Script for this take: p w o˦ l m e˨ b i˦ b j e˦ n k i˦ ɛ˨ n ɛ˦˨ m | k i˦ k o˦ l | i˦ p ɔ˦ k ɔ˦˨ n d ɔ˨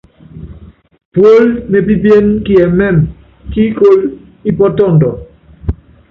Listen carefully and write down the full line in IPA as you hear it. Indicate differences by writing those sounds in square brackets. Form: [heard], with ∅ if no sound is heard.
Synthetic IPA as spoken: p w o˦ l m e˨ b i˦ b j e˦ n k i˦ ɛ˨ [m] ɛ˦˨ m | k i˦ k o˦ l | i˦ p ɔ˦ [t] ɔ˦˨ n d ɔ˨